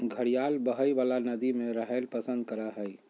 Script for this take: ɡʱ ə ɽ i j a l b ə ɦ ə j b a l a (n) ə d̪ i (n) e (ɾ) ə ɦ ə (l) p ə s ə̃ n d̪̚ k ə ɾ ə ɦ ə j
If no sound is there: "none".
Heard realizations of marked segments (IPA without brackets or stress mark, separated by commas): n, m, ɾ, l